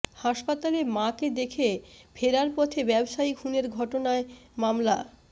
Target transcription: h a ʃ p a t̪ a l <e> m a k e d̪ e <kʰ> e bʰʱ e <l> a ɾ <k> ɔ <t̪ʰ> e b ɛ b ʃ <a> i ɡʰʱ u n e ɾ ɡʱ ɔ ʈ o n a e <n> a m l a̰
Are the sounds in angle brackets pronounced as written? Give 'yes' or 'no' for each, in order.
yes, yes, no, no, yes, yes, no

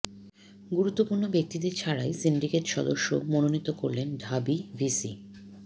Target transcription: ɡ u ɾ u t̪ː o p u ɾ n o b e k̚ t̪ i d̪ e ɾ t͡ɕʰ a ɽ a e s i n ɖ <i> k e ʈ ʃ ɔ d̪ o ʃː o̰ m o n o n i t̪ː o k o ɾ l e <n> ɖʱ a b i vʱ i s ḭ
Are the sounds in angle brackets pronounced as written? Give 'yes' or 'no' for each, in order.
yes, yes

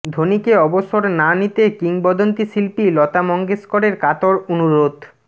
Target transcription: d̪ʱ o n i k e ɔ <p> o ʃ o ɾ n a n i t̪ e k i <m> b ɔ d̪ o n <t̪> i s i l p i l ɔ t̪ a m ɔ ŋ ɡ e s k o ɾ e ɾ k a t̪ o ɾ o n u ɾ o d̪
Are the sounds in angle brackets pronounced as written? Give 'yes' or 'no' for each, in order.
no, no, yes

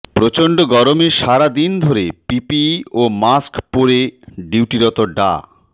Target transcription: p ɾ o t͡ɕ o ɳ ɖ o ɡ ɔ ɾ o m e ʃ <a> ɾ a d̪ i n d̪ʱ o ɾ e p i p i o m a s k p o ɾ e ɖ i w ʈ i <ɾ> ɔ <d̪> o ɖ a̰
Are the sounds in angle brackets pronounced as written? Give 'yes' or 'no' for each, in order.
yes, yes, no

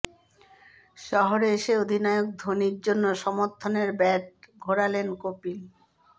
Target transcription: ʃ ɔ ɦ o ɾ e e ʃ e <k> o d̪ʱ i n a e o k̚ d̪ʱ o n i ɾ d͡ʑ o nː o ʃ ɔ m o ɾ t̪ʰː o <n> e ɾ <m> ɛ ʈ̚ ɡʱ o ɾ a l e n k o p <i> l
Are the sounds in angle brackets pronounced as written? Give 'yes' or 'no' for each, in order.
no, yes, no, yes

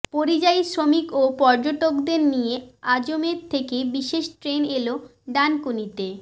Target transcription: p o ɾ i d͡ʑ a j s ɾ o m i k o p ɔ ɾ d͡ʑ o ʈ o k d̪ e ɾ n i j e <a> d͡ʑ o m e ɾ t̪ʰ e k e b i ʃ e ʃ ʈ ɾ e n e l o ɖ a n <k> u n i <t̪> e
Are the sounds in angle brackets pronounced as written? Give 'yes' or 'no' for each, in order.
yes, yes, yes

